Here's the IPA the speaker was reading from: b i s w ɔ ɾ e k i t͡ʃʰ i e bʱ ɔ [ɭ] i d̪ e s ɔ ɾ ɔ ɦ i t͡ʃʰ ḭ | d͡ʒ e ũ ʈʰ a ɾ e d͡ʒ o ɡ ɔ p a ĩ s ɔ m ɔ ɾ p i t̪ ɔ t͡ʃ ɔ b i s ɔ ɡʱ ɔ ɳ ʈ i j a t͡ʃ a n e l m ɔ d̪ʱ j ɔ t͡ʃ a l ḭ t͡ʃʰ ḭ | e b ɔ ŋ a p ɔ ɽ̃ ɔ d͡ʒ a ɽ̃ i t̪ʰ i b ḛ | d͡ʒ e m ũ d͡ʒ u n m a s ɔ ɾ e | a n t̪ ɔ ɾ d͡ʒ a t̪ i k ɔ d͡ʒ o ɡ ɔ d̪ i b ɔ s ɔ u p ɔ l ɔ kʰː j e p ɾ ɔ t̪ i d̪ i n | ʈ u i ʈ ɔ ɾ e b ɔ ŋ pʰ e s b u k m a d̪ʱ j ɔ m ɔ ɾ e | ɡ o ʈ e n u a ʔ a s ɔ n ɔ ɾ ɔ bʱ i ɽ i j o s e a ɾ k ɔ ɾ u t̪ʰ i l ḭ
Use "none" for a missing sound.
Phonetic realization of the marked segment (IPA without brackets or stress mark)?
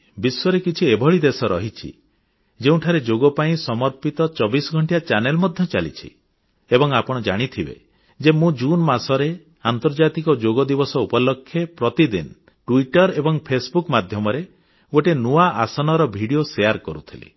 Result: ɭ